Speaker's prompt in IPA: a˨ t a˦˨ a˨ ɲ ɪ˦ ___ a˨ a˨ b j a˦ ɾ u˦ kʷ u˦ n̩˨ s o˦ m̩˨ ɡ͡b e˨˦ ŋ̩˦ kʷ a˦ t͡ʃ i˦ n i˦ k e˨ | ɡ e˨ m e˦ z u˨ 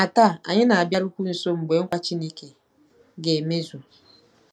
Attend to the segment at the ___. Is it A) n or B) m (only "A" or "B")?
A